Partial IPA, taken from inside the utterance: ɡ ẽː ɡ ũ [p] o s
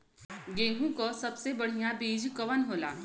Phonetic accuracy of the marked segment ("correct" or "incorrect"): incorrect